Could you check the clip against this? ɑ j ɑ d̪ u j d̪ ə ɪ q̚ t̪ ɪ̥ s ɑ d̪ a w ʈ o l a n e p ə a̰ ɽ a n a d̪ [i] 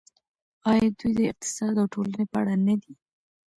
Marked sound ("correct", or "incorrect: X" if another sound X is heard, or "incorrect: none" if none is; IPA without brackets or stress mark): correct